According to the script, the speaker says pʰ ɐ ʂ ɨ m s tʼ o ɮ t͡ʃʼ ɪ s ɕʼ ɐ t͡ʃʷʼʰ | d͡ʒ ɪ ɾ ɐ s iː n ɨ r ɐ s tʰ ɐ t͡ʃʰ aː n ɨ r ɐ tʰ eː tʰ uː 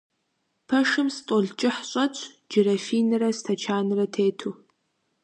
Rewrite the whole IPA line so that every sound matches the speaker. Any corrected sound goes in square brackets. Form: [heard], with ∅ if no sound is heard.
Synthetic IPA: pʰ ɐ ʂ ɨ m s tʼ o ɮ t͡ʃʼ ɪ [ħ] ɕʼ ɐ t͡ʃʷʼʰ | d͡ʒ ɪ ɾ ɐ [f] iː n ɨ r ɐ s tʰ ɐ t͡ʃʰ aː n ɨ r ɐ tʰ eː tʰ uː